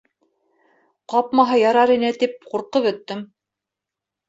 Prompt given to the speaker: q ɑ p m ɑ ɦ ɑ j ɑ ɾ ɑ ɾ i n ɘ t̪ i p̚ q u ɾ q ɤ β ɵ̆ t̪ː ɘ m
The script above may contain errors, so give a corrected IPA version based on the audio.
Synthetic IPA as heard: q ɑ p m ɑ ɦ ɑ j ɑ ɾ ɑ ɾ i n ɘ t̪ i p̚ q u ɾ q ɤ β ɵ̆ t̪ː ɘ m